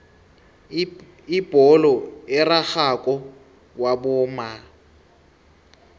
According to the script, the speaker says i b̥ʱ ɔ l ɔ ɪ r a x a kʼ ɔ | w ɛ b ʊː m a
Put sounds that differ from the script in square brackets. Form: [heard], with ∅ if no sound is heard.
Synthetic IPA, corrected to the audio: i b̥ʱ ɔ l ɔ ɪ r a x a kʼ ɔ | w [a] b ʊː m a